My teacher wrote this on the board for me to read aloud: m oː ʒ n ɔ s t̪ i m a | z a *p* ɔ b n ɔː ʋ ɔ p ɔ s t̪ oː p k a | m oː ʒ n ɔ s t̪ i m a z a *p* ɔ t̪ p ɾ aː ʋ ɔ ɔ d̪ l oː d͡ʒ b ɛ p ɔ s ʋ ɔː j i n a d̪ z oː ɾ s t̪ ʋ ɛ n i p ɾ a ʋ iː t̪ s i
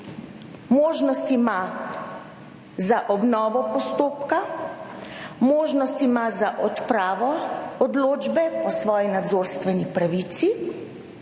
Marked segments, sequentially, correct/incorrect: incorrect, incorrect

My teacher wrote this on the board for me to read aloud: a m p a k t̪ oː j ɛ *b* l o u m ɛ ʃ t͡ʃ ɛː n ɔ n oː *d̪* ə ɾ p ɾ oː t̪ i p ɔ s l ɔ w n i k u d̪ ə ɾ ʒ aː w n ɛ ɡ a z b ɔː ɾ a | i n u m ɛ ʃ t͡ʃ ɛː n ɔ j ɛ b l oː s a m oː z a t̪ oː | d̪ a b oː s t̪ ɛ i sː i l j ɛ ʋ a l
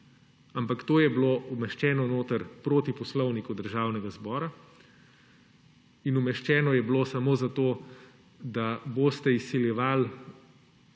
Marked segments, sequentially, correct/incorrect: correct, incorrect

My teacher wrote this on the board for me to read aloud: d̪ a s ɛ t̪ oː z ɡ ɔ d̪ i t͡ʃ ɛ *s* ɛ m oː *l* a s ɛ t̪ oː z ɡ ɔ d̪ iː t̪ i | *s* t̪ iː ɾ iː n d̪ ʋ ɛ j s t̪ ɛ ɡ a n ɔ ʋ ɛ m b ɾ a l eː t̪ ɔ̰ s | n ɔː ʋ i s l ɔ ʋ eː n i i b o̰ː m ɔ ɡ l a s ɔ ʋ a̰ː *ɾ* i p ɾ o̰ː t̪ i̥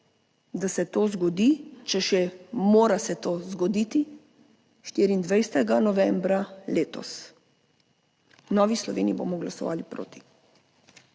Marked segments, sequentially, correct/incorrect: incorrect, incorrect, incorrect, incorrect

